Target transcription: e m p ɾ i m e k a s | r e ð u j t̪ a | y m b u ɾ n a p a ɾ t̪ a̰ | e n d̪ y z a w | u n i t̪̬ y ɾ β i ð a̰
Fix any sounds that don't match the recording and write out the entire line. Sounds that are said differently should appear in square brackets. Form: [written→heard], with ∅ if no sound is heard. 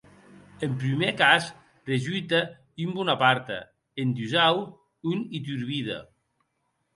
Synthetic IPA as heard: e m p ɾ i m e k a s | r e [ð→ʒ] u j t̪ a | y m b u [ɾ→∅] n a p a ɾ t̪ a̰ | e n d̪ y z a w | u n i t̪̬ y ɾ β i ð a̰